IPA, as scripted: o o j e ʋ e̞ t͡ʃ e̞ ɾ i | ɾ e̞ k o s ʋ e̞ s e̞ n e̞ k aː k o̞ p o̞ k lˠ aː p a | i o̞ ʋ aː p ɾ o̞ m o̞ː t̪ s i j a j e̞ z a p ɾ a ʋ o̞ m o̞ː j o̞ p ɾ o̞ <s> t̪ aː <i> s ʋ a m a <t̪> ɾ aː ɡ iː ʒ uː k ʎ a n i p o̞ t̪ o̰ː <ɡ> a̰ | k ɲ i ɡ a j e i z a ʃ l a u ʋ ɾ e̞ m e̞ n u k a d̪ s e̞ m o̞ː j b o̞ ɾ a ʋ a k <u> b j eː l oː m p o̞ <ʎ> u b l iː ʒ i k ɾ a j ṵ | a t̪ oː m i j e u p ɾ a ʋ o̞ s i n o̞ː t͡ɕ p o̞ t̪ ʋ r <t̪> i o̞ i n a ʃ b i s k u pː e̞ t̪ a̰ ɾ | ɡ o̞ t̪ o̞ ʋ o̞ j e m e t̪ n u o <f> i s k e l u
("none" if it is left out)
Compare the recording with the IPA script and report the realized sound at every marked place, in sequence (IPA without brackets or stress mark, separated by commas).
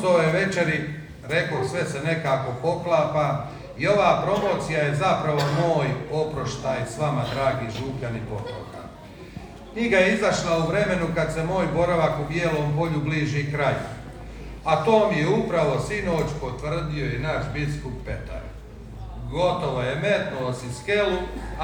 ʃ, j, d̪, k, u, ʎ, d̪, s